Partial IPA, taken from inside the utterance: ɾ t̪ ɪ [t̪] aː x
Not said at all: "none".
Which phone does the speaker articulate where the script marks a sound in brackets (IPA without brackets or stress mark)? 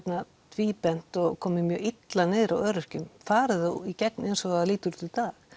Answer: t̪